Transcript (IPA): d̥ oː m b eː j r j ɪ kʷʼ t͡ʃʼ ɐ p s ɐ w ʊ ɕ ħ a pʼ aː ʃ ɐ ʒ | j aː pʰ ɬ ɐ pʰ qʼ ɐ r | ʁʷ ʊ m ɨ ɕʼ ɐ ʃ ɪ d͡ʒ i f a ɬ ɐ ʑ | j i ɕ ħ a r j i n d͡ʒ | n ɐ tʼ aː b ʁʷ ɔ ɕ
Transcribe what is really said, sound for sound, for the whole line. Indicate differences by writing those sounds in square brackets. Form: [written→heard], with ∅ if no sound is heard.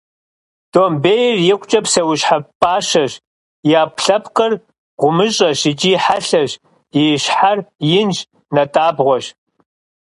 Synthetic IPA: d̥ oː m b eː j r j ɪ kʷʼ t͡ʃʼ ɐ p s ɐ w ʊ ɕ ħ a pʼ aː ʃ ɐ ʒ | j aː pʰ ɬ ɐ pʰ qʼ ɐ r | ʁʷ ʊ m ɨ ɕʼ ɐ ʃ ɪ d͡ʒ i [f→ħ] a ɬ ɐ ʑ | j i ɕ ħ a r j [i→ɪ] n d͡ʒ | n ɐ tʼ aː b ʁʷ ɔ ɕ